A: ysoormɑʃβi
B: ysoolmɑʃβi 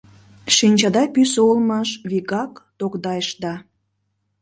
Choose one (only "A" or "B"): B